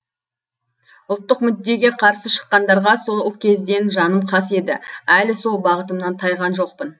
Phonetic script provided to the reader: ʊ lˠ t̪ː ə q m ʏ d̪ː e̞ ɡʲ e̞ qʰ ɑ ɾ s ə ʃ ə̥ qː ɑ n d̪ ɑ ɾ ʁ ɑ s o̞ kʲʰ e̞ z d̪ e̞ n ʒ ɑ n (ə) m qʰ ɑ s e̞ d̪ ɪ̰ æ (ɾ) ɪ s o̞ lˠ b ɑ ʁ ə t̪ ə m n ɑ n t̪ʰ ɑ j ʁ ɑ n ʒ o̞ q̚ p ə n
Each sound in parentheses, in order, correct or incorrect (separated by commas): correct, incorrect